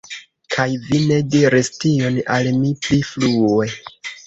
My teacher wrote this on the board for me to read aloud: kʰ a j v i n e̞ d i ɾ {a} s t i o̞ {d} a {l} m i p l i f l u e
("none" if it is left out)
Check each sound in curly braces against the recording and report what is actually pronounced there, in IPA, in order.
i, n, l

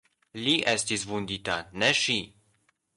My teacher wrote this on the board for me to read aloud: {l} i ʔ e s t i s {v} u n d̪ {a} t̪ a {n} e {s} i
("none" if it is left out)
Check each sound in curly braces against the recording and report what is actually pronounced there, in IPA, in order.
l, v, i, n, ʃ

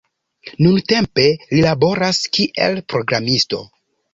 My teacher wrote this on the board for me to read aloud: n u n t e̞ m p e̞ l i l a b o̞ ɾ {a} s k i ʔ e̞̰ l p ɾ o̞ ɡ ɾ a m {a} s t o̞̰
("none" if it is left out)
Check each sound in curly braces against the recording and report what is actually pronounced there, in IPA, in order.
a, i

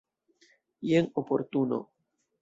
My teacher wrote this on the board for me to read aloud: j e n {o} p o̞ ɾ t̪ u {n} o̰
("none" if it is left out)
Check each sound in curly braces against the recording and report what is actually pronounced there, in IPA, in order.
o, n

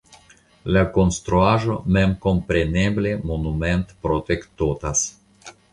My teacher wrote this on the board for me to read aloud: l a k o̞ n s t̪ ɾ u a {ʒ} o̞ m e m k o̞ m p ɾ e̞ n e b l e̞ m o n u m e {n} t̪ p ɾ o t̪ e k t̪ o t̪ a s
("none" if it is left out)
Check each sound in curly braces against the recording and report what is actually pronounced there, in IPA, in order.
ʒ, n

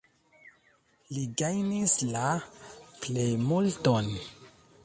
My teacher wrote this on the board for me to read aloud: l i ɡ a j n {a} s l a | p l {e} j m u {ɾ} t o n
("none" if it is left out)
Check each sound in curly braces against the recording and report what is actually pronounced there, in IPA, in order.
i, e, l

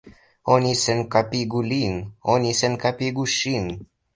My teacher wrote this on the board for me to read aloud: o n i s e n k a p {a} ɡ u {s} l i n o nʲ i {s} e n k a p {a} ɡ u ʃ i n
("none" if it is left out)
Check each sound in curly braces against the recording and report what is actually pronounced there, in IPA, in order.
i, none, s, i

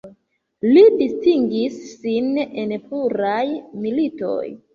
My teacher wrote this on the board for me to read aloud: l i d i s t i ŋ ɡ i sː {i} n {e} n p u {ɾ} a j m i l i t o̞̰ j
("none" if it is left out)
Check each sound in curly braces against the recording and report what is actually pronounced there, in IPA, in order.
i, e, ɾ

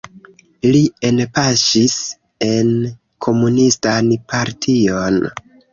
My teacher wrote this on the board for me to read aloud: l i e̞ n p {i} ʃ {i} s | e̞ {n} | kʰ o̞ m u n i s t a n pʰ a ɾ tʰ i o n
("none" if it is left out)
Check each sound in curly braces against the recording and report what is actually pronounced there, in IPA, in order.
a, i, n

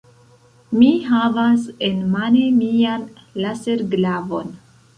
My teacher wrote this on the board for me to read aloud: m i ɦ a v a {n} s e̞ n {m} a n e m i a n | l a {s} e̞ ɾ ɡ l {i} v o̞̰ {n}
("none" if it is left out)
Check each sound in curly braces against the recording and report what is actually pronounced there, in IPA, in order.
none, m, s, a, n

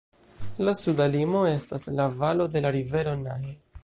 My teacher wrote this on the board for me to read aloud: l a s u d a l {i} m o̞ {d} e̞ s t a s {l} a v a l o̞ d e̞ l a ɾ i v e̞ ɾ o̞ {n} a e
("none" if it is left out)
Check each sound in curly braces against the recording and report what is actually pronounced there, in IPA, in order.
i, none, l, n

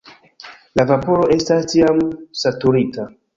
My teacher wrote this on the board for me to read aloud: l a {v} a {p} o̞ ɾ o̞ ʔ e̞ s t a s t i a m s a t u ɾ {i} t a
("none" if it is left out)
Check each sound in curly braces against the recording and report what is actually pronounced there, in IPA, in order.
v, p, i

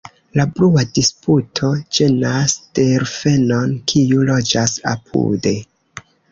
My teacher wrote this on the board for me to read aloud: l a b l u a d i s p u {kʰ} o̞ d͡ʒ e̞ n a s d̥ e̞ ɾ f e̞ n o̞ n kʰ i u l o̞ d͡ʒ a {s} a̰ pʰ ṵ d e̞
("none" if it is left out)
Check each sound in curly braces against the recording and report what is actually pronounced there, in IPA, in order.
tʰ, s

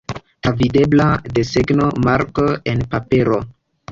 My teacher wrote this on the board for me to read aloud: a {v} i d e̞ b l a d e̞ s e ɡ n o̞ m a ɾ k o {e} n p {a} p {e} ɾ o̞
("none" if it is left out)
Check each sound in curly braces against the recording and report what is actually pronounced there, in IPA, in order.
v, e, a, e

